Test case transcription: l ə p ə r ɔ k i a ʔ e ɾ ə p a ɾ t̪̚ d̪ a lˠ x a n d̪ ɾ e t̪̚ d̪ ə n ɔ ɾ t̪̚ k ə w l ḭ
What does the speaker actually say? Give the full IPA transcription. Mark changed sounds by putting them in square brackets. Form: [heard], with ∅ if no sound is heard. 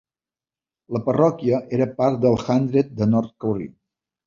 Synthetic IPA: l ə p ə r ɔ k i [ə] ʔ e ɾ ə p a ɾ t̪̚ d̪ [ə] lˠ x a n d̪ ɾ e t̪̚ d̪ ə n ɔ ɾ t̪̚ k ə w [r] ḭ

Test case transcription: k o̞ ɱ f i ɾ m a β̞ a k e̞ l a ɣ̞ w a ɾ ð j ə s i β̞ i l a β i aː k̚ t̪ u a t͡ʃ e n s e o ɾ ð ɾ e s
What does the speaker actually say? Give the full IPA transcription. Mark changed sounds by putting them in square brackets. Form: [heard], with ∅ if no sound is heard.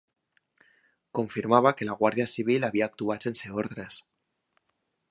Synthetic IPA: k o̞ ɱ f i ɾ m a β̞ a k e̞ l a ɣ̞ w a ɾ ð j [a] s i β̞ i l a β i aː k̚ t̪ u a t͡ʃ e n s e o ɾ ð ɾ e s

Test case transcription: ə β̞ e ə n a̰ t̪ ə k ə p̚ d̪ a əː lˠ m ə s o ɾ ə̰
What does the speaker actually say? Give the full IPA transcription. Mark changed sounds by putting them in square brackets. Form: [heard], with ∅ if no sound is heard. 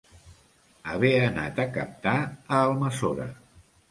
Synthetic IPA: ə β̞ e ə n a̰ t̪ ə k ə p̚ [t̪] a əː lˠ m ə s o ɾ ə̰

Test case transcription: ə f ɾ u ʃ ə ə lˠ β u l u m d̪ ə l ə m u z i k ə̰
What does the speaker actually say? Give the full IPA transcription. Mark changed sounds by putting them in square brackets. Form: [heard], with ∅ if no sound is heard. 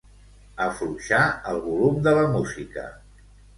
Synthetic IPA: ə f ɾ u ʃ [a] ə lˠ β u l u m d̪ ə l ə m u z i k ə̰

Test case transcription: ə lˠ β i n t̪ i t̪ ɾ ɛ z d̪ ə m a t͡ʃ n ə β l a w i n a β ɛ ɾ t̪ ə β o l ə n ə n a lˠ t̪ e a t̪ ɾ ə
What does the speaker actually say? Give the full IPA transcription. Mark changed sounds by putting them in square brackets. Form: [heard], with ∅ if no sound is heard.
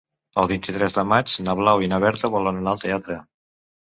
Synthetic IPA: ə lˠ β i n t̪ i t̪ ɾ ɛ z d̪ ə m a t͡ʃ n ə β l a w i n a β ɛ ɾ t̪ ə β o l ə n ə n a lˠ t̪ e a t̪ ɾ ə

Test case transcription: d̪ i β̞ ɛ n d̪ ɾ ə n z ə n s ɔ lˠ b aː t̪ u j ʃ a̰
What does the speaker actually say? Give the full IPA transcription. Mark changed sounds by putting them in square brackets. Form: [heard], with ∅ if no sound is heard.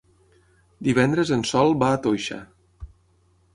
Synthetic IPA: d̪ i β̞ ɛ n d̪ ɾ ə [∅] z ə n s ɔ lˠ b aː t̪ [o] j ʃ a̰

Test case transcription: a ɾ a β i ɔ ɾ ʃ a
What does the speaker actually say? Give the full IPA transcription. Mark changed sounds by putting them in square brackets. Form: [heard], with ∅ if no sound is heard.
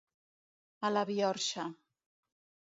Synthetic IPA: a [l] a β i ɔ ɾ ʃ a

